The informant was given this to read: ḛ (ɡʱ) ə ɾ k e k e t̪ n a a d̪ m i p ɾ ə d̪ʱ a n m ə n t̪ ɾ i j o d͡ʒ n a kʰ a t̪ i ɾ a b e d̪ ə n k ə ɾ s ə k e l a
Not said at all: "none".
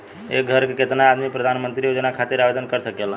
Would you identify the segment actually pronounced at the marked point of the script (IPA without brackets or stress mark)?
ɡʱ